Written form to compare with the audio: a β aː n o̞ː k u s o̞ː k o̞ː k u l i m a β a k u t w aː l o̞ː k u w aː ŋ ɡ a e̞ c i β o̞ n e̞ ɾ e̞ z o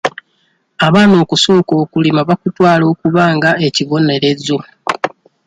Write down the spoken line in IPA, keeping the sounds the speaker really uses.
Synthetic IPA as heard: a β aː n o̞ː k u s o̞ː k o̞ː k u l i m a β a k u t w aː l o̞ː k u β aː ŋ ɡ a e̞ c i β o̞ n e̞ ɾ e̞ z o